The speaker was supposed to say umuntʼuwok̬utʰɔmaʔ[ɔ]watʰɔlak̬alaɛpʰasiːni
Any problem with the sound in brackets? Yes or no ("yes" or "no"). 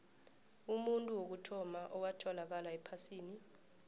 no